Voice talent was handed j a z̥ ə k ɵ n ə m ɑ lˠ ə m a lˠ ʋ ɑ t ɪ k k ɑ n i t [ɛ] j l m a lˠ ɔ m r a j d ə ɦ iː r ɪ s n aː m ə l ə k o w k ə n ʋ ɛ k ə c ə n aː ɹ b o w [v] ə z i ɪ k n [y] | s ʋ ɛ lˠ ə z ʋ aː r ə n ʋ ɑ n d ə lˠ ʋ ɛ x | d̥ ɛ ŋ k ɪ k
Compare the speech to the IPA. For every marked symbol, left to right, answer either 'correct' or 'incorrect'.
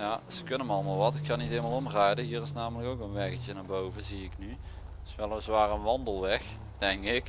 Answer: incorrect: e, correct, correct

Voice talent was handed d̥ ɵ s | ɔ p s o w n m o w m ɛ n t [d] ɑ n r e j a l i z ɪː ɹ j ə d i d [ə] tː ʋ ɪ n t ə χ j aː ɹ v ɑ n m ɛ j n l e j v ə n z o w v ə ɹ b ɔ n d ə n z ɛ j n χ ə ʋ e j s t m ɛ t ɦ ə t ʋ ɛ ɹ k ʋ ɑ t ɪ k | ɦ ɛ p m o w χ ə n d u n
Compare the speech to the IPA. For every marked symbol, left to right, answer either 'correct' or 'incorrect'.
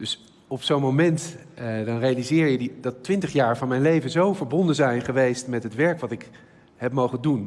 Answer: correct, incorrect: ɑ

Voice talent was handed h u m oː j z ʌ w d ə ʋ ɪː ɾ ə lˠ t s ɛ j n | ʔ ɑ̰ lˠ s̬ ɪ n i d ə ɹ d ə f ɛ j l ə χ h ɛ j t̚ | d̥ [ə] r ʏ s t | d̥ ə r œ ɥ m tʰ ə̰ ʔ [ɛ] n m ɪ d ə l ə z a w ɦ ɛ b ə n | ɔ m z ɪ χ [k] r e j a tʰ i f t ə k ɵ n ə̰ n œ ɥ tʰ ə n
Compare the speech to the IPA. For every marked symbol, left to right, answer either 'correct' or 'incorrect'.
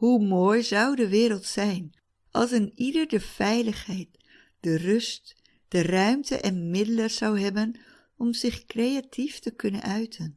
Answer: correct, correct, correct

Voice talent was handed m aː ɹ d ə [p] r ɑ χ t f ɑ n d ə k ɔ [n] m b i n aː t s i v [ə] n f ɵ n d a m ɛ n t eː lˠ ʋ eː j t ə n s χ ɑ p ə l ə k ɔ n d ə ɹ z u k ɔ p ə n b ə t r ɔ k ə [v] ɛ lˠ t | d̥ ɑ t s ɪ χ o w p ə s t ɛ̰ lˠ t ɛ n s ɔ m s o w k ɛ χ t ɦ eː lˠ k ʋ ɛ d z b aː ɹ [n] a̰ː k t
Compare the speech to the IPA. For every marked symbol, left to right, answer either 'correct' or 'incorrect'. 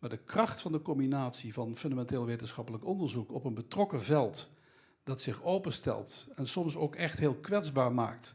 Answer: incorrect: k, incorrect: none, incorrect: ɑ, correct, incorrect: m

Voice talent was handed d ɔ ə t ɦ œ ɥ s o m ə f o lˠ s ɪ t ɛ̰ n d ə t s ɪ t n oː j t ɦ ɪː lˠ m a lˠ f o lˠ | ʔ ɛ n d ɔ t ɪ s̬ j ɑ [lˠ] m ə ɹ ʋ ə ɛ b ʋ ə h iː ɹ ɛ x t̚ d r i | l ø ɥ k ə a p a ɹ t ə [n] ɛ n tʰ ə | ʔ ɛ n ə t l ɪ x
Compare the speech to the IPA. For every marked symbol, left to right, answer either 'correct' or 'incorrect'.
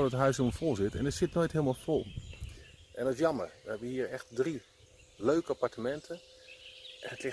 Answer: incorrect: none, incorrect: m

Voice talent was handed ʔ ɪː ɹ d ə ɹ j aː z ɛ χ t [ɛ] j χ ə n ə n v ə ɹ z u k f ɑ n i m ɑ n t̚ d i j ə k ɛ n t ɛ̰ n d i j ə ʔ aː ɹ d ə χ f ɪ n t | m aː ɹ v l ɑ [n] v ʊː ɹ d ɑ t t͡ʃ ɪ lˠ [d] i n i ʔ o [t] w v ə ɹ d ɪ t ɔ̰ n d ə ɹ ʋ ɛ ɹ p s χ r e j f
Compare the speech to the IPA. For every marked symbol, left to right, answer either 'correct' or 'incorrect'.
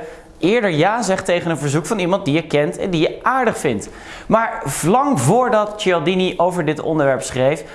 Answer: incorrect: e, incorrect: ŋ, correct, incorrect: none

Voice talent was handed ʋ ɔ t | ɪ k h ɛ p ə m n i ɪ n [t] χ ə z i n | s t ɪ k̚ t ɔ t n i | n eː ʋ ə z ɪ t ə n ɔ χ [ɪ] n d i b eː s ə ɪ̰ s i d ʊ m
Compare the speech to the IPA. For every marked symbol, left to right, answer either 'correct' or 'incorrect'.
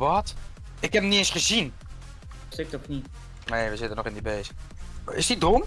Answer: incorrect: s, correct

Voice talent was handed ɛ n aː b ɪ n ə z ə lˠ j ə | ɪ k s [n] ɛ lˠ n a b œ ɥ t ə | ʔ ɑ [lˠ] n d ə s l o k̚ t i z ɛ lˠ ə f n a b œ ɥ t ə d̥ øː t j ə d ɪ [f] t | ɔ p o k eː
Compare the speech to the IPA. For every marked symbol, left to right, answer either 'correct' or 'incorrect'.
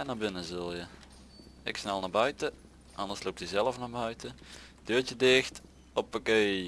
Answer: correct, incorrect: none, incorrect: x

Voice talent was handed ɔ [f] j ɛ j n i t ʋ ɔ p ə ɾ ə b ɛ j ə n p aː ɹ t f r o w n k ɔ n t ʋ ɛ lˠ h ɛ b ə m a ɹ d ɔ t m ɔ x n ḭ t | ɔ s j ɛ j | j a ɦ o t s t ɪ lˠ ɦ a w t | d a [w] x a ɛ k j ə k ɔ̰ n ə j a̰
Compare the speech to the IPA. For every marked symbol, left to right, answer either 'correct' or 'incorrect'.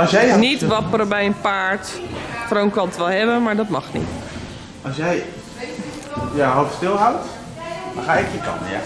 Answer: incorrect: s, incorrect: none

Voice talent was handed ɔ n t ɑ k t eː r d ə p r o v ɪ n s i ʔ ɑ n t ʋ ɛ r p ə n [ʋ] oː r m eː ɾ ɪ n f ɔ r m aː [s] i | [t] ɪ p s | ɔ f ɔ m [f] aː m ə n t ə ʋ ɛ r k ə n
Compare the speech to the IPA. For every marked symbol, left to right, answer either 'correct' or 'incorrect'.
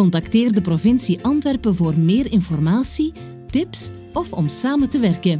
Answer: incorrect: v, correct, correct, incorrect: s

